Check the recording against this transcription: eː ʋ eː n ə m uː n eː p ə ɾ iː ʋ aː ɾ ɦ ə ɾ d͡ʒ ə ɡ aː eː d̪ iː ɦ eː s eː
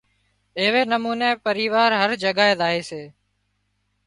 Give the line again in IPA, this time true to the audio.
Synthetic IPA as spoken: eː ʋ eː n ə m uː n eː p ə ɾ iː ʋ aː ɾ ɦ ə ɾ d͡ʒ ə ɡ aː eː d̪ aː ɦ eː s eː